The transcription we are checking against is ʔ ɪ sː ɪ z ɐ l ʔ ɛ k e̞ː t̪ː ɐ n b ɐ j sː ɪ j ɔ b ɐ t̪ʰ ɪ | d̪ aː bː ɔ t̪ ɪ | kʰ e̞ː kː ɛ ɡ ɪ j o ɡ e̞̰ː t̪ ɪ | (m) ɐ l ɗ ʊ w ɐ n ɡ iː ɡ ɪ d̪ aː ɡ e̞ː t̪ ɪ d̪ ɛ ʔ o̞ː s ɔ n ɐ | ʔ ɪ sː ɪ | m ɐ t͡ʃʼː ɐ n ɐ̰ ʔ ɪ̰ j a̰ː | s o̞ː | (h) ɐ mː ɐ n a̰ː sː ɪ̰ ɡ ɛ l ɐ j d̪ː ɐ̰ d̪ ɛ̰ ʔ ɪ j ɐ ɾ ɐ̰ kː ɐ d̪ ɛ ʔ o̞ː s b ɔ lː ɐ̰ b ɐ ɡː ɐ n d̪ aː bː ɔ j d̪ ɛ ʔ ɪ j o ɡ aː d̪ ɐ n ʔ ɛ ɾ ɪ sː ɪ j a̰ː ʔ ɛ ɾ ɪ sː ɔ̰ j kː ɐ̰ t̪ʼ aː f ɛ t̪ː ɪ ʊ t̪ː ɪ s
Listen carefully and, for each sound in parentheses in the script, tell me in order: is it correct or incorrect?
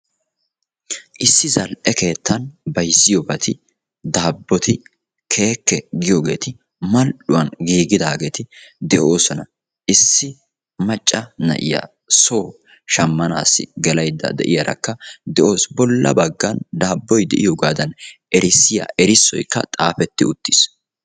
correct, incorrect: ʃ

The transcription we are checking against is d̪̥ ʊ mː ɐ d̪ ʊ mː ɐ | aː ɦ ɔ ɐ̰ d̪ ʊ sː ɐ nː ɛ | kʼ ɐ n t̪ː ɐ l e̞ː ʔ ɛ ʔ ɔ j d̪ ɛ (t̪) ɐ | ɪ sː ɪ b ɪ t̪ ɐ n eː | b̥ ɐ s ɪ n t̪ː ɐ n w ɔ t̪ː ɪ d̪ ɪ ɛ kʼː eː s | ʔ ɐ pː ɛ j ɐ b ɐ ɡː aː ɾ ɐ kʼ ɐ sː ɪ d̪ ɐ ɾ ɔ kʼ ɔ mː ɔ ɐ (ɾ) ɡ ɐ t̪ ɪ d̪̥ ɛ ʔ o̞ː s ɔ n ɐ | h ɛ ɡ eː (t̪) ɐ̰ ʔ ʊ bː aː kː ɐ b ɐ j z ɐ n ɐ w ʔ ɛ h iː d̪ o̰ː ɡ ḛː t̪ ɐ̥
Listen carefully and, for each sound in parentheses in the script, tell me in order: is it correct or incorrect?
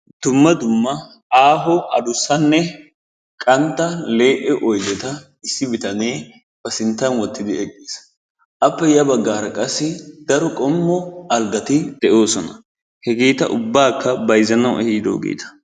correct, incorrect: l, correct

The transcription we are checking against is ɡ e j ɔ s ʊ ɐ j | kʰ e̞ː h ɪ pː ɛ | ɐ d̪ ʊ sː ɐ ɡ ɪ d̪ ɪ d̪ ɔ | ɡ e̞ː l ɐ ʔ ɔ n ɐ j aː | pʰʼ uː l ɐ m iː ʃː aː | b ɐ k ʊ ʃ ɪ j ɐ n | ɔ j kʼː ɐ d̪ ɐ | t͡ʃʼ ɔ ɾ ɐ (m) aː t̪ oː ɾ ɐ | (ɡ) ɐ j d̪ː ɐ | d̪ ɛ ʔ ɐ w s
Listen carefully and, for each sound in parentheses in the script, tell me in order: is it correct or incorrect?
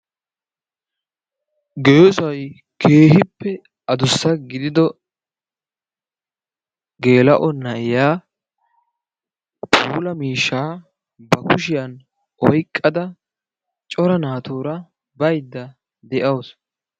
incorrect: n, incorrect: b

